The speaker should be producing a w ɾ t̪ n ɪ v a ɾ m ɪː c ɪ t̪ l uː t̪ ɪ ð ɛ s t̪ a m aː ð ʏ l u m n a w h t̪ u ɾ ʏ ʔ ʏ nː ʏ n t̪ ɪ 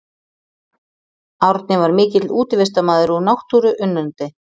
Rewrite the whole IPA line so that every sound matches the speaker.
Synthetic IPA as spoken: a w ɾ t̪ n ɪ v a ɾ m ɪː c ɪ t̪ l uː t̪ ɪ v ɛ s t̪ a m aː ð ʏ ɾ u n a w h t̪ u ɾ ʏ ʔ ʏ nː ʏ n t̪ ɪ